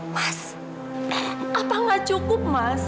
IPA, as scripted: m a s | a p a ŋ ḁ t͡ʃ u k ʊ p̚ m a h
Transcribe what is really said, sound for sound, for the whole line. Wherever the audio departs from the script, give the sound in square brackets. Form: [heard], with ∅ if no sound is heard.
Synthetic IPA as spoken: m a s | a p a ŋ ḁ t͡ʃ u k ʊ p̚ m a [s]